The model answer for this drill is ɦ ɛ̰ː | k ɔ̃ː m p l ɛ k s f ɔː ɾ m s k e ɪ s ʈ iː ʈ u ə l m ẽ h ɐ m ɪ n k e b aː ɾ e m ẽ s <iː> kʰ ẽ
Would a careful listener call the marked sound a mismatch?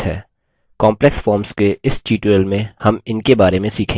no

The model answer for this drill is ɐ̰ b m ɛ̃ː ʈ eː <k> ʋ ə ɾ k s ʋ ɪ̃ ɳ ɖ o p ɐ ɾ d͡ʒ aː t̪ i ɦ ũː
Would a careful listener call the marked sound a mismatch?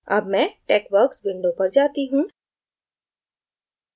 no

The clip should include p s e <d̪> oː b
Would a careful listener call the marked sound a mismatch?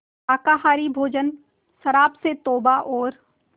yes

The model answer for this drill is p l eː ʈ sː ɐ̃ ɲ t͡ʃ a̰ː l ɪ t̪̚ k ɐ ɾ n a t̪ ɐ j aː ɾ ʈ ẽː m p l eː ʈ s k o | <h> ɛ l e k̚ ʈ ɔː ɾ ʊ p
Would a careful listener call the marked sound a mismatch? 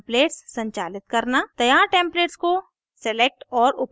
yes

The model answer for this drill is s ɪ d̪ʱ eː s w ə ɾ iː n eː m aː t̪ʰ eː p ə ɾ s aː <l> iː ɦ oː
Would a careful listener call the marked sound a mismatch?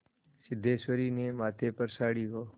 yes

